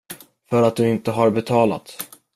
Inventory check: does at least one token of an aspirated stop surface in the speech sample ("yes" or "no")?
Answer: yes